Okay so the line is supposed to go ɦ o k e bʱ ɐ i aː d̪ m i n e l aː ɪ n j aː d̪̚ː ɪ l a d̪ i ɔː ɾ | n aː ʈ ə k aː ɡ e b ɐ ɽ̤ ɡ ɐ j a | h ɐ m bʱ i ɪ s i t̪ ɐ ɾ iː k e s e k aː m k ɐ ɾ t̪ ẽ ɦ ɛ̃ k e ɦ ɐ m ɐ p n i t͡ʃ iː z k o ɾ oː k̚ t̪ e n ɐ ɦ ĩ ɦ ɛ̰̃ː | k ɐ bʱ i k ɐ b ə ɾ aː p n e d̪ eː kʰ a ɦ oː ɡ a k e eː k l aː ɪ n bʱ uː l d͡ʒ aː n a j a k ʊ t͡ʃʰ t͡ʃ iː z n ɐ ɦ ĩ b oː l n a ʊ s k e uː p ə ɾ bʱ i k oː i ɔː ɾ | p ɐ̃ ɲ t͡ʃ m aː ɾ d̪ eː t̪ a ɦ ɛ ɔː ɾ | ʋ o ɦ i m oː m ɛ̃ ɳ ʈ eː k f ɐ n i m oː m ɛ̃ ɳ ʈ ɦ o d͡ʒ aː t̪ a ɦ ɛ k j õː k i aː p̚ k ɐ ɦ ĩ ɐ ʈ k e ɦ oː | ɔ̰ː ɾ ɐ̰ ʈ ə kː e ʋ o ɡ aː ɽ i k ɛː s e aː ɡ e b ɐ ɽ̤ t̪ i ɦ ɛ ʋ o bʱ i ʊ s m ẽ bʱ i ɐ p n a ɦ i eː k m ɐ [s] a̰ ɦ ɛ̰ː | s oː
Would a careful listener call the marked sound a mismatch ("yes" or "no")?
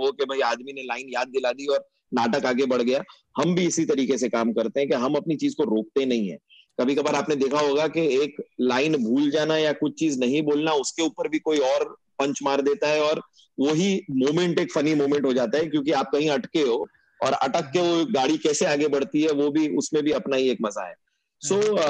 yes